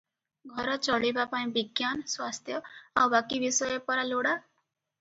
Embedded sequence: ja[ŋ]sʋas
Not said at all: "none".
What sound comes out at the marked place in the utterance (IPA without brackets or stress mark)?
n